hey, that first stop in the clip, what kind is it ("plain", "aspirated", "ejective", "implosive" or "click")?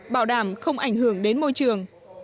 implosive